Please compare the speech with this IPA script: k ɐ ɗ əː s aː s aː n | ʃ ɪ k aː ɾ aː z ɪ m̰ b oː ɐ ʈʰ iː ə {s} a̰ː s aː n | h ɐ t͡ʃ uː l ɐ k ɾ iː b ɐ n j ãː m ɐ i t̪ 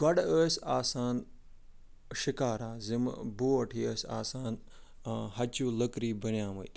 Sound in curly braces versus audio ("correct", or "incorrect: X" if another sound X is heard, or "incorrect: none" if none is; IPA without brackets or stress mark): correct